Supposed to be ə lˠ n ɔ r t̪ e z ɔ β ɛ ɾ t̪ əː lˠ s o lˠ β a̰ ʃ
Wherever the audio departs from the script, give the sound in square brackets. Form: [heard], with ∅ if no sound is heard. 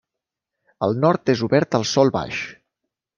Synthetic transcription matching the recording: ə lˠ n ɔ [ɾ] t̪ e z [u] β ɛ ɾ t̪ [ə] lˠ s [ɔ] lˠ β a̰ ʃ